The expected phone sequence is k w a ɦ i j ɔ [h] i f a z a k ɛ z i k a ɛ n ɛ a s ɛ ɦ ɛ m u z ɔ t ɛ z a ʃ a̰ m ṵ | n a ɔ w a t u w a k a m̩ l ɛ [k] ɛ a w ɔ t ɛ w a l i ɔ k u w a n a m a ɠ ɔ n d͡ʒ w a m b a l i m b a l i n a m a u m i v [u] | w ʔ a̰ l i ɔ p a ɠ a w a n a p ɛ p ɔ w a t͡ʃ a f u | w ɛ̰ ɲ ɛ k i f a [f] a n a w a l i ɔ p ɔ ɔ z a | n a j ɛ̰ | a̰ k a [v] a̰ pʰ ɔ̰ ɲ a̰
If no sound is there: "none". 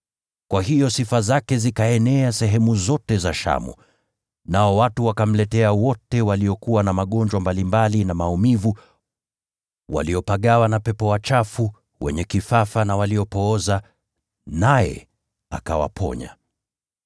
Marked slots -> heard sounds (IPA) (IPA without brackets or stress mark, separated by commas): s, t, u, f, w